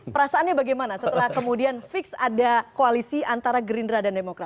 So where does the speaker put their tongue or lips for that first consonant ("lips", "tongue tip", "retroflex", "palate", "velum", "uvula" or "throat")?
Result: lips